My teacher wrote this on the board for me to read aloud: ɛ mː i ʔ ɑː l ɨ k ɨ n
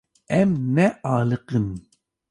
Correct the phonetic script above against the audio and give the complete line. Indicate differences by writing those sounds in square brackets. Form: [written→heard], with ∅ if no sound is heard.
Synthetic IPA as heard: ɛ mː [i→ɛ] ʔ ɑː l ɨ [k→q] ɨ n